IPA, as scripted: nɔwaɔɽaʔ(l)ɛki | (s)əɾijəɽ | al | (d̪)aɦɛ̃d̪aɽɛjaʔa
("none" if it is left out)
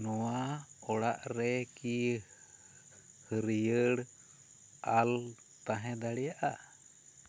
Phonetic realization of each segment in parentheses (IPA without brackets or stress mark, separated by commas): ɾ, h, t̪